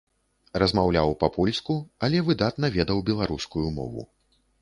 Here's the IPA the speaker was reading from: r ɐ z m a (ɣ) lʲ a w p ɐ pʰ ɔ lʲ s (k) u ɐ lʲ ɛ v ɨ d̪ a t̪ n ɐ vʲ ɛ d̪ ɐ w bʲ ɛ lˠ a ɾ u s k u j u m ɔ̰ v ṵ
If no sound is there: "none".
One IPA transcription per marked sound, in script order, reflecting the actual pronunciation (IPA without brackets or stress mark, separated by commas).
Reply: w, k